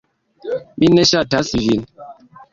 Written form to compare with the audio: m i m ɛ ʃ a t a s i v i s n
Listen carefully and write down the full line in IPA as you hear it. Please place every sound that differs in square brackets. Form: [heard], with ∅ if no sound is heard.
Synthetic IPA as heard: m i [n] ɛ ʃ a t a s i v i [∅] n